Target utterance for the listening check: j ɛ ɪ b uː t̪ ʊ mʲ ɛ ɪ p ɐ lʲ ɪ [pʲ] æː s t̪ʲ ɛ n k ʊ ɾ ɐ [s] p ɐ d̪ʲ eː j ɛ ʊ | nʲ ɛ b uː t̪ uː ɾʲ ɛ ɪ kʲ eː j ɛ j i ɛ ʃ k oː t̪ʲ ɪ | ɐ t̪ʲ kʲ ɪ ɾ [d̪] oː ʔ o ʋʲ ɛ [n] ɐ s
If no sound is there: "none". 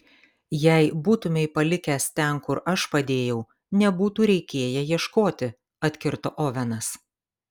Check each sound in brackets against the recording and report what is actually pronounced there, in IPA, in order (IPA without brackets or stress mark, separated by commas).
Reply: kʲ, ʃ, t̪, n